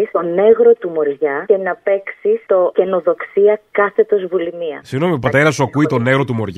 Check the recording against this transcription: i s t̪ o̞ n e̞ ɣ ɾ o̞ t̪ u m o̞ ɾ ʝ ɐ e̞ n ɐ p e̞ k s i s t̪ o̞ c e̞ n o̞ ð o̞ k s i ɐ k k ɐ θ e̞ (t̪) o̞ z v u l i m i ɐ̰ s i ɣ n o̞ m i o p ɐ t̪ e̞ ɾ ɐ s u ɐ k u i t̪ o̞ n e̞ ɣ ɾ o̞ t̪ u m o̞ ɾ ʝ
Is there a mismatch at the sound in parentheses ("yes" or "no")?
no